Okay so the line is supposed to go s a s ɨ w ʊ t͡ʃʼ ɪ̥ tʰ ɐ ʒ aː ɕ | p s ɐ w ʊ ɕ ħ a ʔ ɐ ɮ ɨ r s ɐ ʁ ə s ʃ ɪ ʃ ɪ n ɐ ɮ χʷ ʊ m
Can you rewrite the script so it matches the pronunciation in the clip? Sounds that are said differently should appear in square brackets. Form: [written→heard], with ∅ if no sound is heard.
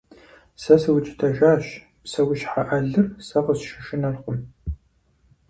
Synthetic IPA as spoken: s [a→ɐ] s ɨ w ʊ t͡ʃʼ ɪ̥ tʰ ɐ ʒ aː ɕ | p s ɐ w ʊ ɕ ħ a ʔ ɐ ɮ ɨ r s ɐ ʁ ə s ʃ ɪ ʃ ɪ n ɐ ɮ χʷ ʊ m